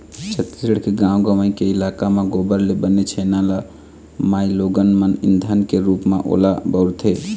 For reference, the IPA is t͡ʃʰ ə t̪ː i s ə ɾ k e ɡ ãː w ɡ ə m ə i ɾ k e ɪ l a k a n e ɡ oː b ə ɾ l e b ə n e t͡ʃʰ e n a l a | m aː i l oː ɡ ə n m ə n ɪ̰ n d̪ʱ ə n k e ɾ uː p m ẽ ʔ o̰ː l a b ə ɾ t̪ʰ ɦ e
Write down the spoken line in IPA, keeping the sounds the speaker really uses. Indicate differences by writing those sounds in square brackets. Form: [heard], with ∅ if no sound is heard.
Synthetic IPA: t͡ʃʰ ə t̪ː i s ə [ɽ] k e ɡ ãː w ɡ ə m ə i [∅] k e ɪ l a k a [m] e ɡ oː b ə ɾ l e b ə n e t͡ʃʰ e n a l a | m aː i l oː ɡ ə n m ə n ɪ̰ n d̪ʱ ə n k e ɾ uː p m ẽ ʔ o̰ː l a b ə ɾ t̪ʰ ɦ e

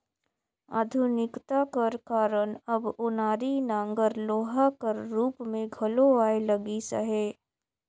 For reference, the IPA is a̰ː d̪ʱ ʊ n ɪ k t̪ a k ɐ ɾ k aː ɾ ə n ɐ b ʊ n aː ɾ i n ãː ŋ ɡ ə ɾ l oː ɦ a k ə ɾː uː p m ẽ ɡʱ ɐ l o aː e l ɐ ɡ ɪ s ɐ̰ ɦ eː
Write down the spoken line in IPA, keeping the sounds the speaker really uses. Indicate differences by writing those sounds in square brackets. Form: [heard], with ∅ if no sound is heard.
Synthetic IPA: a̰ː d̪ʱ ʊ n ɪ k t̪ a k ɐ ɾ k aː ɾ ə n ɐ b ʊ n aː ɾ i n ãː ŋ ɡ ə ɾ l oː ɦ a k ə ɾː uː p m ẽ ɡʱ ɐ l o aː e l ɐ ɡ [i] s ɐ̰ ɦ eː

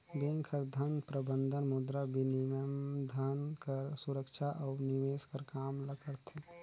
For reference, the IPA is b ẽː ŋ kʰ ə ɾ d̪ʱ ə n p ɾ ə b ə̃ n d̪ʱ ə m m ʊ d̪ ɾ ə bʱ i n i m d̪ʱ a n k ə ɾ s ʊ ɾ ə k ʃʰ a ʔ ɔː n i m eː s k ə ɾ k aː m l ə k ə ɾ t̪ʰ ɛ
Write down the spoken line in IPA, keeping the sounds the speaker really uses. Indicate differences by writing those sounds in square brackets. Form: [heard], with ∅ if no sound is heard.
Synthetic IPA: b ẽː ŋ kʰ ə ɾ d̪ʱ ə n p ɾ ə b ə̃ n d̪ʱ ə [n] m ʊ d̪ ɾ [a] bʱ i n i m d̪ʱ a n k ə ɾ s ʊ ɾ ə k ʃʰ a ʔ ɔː n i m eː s k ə ɾ k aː m l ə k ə ɾ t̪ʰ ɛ

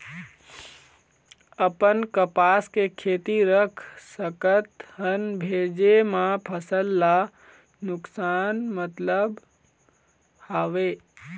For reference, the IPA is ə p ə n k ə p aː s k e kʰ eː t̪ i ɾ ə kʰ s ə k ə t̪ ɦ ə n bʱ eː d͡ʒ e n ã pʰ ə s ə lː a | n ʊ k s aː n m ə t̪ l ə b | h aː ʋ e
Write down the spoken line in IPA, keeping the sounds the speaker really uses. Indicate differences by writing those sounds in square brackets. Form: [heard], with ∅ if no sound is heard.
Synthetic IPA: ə p ə n k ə p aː s k e kʰ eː t̪ i ɾ ə kʰ s ə k ə t̪ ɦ ə n bʱ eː d͡ʒ e [m] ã pʰ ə s ə lː a | n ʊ k s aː n m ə t̪ l ə b | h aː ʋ e

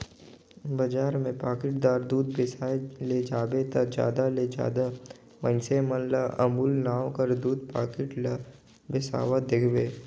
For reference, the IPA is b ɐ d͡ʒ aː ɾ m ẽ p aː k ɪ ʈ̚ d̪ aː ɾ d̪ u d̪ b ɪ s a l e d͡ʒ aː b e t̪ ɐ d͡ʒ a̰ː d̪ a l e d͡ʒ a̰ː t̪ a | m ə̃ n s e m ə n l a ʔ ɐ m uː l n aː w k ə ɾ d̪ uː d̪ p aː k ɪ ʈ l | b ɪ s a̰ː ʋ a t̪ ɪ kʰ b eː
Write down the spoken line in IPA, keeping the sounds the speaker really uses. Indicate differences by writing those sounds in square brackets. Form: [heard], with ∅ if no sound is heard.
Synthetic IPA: b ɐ d͡ʒ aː ɾ m ẽ p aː k ɪ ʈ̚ d̪ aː ɾ d̪ [uː] d̪ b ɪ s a l e d͡ʒ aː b e t̪ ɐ d͡ʒ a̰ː d̪ a l e d͡ʒ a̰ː [d̪] a | m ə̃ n s e m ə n l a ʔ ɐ m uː l n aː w k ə ɾ d̪ uː d̪ p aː k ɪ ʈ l | b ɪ s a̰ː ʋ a [d̪] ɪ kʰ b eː

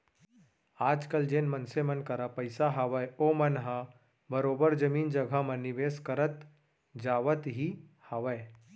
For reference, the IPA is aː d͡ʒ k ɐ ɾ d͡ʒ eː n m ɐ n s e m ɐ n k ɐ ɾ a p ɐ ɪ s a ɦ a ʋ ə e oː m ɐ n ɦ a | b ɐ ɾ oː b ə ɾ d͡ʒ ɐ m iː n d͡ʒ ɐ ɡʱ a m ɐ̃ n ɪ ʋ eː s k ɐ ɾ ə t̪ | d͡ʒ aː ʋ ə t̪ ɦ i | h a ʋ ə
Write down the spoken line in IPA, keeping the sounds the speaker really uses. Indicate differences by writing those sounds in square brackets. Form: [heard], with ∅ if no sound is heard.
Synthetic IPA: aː d͡ʒ k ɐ [l] d͡ʒ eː n m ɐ n s e m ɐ n k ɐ ɾ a p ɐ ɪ s a ɦ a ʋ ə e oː m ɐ n ɦ a | b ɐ ɾ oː b ə ɾ d͡ʒ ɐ m iː n d͡ʒ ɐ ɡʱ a m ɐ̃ n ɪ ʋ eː s k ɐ ɾ ə t̪ | d͡ʒ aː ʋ ə t̪ ɦ i | h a ʋ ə

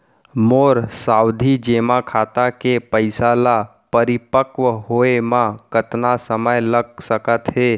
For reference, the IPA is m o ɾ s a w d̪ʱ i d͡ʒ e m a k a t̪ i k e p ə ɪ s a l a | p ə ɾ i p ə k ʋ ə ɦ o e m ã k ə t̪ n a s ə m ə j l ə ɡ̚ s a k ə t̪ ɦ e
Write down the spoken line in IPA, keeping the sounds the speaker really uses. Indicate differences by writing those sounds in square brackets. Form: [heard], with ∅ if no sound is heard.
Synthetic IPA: m o ɾ s a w d̪ʱ i d͡ʒ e m a [kʰ] a t̪ [a] k e p ə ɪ s a l a | p ə ɾ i p ə k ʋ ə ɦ o e m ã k ə t̪ n a s ə m ə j l ə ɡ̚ s [ə] k ə t̪ ɦ e

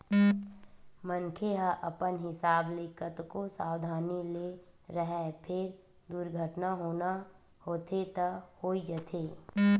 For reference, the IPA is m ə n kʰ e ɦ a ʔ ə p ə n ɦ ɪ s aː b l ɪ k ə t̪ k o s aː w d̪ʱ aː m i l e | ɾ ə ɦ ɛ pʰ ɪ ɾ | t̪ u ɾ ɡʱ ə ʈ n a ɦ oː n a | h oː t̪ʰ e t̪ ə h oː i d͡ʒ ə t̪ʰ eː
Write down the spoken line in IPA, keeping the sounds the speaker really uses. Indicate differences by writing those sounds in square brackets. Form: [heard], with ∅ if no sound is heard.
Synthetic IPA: m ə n kʰ e ɦ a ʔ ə p ə n ɦ ɪ s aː b l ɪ k ə t̪ k o s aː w d̪ʱ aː [n] i l e | ɾ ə ɦ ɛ pʰ ɪ ɾ | [d̪] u ɾ ɡʱ ə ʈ n a ɦ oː n a | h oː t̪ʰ e t̪ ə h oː i d͡ʒ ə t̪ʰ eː

